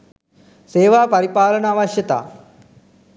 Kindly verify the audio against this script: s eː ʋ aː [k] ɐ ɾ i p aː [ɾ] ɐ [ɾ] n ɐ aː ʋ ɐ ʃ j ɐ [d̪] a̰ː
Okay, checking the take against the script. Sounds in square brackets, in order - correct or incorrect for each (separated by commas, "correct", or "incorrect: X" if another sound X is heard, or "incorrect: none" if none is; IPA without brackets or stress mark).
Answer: incorrect: p, incorrect: l, incorrect: none, incorrect: t̪